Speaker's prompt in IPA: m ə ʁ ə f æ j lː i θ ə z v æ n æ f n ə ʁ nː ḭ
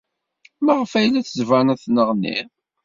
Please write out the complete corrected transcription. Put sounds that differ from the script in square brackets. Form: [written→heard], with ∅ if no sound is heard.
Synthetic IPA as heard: m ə ʁ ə f æ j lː [i→æ] θ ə z v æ n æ [f→θ] n ə ʁ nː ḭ